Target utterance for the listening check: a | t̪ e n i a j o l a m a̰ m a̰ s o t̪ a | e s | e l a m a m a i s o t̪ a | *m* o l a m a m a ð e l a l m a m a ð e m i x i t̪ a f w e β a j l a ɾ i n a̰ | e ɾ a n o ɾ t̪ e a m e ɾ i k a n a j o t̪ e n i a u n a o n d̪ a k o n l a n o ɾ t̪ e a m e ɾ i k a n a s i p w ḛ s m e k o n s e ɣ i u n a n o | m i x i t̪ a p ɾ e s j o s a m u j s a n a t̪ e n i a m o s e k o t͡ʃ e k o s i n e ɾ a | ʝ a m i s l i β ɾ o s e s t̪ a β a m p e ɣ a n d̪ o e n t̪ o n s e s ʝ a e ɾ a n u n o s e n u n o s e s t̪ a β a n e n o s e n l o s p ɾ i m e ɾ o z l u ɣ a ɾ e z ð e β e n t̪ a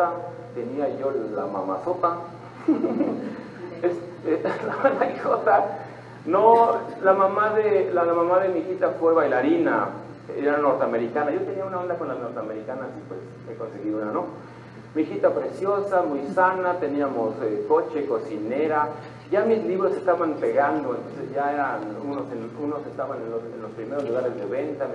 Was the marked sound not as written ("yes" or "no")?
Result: yes